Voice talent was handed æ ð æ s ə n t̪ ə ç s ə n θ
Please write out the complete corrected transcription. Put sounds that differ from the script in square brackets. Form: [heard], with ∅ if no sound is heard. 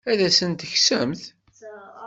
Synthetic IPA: æ ð æ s ə n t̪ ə ç s ə [m] θ